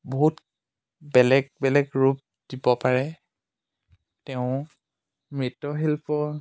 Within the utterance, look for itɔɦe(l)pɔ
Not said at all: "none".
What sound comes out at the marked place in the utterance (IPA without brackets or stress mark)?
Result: l